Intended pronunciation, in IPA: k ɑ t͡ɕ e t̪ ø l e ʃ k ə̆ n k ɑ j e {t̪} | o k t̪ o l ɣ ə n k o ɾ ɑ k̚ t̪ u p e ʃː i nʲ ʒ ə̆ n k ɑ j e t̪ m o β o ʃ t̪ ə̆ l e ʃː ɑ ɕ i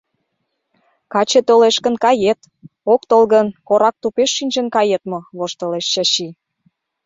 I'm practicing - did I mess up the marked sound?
no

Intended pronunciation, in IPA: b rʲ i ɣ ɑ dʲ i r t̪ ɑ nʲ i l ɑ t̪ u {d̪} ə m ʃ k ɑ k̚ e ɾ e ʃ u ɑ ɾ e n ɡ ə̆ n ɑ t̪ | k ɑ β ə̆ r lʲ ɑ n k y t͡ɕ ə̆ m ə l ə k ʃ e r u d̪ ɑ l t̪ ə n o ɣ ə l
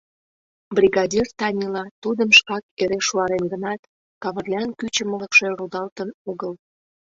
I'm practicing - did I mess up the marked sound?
no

